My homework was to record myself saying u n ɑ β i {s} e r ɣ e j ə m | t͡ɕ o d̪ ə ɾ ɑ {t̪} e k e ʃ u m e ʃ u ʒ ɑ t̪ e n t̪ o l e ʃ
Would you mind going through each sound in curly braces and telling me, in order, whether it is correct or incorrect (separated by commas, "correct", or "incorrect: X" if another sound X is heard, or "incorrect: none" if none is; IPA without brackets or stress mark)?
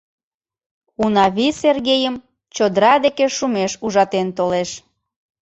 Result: correct, incorrect: d̪